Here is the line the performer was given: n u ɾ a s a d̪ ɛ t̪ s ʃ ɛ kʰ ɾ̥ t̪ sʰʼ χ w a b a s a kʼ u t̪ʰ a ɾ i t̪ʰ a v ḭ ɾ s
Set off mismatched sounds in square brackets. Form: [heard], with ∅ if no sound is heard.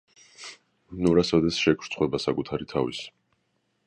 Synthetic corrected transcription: n u ɾ a s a d̪ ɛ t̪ s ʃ ɛ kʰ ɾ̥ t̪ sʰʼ χ w [ɛ] b a s a kʼ u t̪ʰ a ɾ i t̪ʰ a v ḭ [∅] s